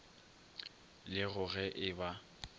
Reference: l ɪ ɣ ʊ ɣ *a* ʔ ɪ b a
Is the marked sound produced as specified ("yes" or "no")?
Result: no